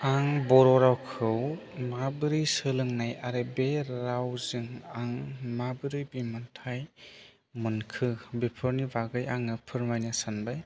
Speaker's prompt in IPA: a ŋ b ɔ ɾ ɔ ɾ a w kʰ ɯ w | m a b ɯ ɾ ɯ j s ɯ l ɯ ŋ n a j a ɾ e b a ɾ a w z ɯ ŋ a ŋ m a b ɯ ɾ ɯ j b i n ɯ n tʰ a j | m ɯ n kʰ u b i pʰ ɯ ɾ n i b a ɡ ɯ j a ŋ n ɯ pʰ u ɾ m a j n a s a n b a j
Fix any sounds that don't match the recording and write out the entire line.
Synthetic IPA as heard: a ŋ b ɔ ɾ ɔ ɾ a w kʰ ɯ w | m a b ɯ ɾ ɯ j s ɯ l ɯ ŋ n a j a ɾ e b e ɾ a w z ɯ ŋ a ŋ m a b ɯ ɾ ɯ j b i m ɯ n tʰ a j | m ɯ n kʰ ɯ b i pʰ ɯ ɾ n i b a ɡ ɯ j a ŋ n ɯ pʰ ɯ ɾ m a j n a s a n b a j